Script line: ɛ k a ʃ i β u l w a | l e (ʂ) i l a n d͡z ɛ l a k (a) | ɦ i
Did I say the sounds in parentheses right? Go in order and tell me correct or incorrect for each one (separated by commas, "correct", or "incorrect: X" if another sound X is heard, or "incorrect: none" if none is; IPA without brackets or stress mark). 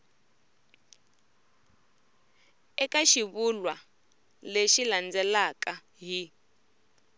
incorrect: ʃ, correct